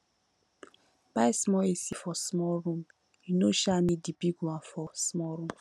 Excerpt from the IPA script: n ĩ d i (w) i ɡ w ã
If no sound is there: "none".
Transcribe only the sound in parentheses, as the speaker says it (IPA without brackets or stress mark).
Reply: b